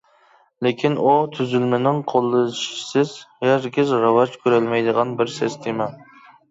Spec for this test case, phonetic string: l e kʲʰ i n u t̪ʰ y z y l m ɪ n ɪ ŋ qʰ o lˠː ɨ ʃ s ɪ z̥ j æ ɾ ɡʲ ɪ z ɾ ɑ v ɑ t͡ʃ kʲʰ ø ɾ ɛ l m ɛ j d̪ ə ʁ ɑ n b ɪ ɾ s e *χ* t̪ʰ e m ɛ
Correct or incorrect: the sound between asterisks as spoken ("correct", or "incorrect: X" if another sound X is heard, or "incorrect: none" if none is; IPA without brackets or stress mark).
incorrect: s